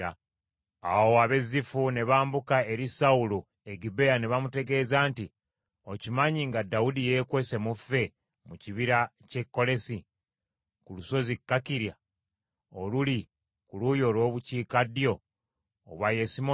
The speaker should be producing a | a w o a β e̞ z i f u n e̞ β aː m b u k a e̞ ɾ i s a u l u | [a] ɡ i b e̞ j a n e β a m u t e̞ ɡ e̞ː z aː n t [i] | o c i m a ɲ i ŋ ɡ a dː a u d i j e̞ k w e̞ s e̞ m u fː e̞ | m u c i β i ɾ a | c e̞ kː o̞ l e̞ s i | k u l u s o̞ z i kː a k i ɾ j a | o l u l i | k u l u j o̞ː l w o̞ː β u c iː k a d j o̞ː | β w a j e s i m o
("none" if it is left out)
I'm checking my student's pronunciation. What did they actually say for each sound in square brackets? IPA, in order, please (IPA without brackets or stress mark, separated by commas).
e, i